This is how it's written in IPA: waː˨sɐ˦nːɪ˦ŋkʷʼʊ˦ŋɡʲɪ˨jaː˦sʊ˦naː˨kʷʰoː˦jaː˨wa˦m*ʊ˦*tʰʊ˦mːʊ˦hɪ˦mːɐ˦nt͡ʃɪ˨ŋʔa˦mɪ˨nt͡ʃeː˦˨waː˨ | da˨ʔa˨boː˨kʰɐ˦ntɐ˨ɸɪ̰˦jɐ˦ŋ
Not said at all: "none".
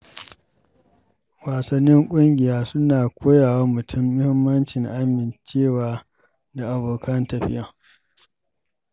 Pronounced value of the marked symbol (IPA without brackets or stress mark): ʊ˨